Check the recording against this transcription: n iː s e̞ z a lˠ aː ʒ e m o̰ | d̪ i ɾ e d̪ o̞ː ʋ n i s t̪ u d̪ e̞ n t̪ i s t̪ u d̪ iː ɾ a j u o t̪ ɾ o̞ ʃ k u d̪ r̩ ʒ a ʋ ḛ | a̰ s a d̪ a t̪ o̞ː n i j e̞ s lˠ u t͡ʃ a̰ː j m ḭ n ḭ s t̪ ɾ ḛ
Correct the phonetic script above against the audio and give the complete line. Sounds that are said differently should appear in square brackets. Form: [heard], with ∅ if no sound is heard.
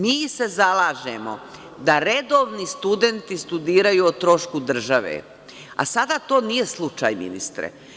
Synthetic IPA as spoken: [m] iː s e̞ z a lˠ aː ʒ e m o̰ | d̪ [a] ɾ e d̪ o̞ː ʋ n i s t̪ u d̪ e̞ n t̪ i s t̪ u d̪ iː ɾ a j u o t̪ ɾ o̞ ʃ k u d̪ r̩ ʒ a ʋ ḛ | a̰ s a d̪ a t̪ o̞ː n i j e̞ s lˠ u t͡ʃ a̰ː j m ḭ n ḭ s t̪ ɾ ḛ